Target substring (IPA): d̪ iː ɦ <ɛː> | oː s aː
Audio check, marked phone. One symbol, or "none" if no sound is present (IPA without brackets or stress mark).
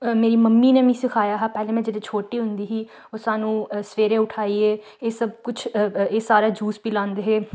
iː